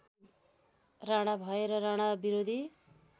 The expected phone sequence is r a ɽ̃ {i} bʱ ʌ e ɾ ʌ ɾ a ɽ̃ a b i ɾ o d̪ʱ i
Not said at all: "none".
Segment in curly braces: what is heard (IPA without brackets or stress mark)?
a